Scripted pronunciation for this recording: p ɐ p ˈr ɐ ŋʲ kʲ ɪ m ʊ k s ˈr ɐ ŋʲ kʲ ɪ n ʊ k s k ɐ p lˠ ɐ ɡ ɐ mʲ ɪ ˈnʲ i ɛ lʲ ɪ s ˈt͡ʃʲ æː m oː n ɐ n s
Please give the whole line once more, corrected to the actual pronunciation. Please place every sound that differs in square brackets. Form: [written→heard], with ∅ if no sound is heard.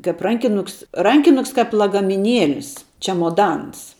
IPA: [p→k] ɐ p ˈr ɐ ŋʲ kʲ ɪ [m→n] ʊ k s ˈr ɐ ŋʲ kʲ ɪ n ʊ k s k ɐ p lˠ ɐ ɡ ɐ mʲ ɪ ˈnʲ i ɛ lʲ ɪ s ˈt͡ʃʲ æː m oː [n→d] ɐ n s